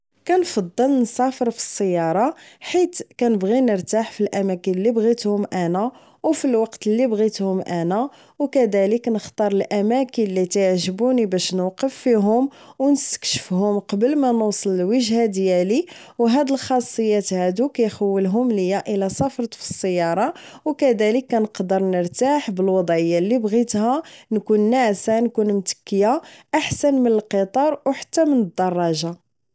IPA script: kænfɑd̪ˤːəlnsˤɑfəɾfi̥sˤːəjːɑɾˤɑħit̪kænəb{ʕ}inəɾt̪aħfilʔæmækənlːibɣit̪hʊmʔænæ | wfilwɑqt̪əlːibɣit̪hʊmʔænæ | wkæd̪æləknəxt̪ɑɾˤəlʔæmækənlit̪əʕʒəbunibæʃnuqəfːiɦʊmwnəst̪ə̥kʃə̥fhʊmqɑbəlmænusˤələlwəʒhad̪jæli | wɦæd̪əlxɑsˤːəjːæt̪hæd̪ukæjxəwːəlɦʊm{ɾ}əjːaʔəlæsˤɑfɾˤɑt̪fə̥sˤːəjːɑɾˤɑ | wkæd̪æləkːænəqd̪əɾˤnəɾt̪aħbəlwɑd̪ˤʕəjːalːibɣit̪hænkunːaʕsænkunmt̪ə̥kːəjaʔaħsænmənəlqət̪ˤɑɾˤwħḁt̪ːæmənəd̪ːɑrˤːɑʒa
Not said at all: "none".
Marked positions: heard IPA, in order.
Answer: ɣ, l

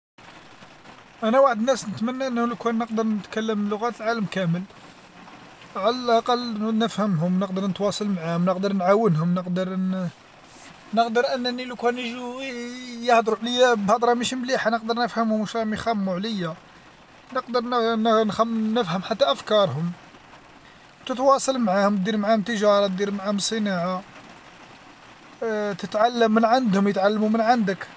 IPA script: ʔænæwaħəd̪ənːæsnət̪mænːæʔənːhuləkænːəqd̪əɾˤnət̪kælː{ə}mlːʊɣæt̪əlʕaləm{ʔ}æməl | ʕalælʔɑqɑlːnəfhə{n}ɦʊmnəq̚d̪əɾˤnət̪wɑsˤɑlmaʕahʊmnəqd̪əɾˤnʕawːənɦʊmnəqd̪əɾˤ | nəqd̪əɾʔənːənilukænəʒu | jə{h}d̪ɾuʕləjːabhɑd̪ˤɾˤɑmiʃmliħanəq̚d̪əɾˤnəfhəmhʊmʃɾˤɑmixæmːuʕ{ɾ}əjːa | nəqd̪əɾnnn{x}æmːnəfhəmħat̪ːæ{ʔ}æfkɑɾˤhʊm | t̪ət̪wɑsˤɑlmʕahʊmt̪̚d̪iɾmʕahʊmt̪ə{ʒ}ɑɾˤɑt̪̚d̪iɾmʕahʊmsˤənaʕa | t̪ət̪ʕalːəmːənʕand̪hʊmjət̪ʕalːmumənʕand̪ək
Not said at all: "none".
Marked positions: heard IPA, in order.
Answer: ə, k, m, h, l, x, ʔ, ʒ

